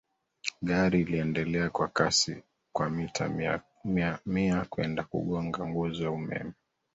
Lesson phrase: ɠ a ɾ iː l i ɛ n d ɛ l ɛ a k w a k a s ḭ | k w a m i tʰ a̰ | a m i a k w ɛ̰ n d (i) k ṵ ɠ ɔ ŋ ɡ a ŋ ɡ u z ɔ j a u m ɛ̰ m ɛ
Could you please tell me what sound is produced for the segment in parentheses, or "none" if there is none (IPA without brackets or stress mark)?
a